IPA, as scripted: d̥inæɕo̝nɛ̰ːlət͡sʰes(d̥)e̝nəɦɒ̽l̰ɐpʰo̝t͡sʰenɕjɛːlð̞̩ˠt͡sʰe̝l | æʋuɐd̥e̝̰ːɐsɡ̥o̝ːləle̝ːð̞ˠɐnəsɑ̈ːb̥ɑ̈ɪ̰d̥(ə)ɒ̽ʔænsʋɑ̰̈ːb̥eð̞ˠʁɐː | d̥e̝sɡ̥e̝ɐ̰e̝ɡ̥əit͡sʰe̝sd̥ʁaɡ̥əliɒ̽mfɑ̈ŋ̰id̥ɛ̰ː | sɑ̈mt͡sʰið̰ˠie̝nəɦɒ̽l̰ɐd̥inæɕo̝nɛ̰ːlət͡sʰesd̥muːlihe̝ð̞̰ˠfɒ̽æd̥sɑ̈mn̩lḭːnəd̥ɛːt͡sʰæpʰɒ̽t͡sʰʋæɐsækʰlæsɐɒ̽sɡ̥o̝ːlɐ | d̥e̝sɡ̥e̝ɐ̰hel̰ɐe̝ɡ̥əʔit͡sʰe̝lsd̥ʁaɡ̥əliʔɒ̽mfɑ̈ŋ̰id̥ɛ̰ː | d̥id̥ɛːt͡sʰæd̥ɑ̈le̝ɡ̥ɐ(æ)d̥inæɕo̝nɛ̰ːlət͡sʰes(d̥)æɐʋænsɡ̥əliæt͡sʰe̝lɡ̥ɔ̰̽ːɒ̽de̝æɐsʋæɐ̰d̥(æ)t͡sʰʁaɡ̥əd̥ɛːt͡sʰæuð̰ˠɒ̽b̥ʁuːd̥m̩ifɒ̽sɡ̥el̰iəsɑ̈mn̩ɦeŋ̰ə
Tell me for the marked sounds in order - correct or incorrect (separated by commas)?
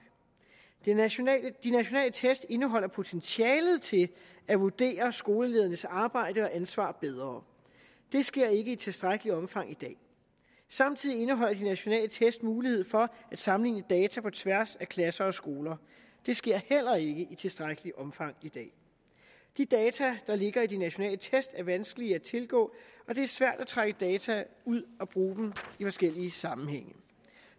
correct, correct, incorrect, correct, correct